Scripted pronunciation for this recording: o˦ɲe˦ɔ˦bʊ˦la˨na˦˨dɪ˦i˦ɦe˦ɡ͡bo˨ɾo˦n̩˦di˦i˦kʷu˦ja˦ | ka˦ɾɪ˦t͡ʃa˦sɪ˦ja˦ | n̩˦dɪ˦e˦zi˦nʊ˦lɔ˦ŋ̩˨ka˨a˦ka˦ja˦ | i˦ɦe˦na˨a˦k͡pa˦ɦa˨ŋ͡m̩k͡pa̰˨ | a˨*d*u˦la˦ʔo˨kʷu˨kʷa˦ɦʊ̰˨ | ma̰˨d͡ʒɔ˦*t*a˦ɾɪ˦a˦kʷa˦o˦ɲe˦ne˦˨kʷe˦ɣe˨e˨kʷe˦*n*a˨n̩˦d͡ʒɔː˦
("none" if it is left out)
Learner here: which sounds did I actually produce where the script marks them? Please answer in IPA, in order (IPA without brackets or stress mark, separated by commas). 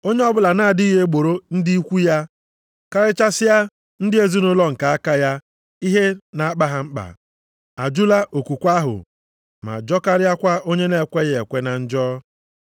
d͡ʒ, k, n